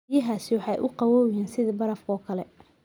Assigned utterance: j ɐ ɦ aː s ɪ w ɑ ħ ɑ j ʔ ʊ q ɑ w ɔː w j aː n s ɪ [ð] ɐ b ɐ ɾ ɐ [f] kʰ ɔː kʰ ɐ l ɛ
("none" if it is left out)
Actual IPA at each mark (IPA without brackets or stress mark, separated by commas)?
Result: ð, f